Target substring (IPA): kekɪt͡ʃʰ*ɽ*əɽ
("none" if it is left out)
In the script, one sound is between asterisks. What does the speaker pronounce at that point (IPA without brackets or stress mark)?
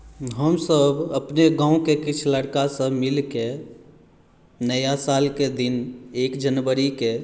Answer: l